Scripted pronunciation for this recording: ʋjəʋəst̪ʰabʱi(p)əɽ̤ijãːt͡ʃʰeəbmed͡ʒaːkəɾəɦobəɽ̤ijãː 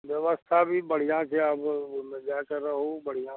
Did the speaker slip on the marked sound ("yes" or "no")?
yes